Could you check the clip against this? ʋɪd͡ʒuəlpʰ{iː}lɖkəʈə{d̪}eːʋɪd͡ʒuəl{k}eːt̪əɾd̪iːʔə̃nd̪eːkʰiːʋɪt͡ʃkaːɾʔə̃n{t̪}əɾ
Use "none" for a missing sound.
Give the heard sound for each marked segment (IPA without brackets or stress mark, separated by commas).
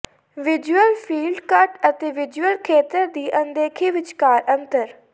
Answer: iː, t̪, kʰ, t̪